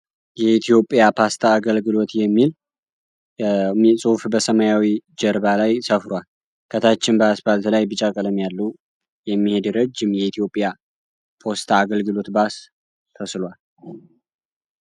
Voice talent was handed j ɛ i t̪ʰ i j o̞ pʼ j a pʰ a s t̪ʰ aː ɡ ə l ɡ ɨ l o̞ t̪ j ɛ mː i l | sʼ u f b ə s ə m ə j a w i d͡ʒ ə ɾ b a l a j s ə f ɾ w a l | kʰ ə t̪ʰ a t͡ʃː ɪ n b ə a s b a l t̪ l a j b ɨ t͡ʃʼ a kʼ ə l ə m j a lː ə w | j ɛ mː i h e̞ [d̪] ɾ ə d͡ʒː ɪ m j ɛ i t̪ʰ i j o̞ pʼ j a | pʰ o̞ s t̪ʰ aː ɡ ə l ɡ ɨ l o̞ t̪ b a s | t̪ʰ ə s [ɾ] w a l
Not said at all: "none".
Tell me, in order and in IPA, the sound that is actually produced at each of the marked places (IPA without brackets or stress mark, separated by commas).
d̪, l